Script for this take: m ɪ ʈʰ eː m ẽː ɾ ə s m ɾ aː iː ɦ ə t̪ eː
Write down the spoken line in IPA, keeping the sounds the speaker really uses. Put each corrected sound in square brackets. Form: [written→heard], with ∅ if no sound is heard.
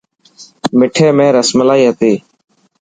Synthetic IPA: m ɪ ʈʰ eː m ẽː ɾ ə s m [ɾ→l] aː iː ɦ ə t̪ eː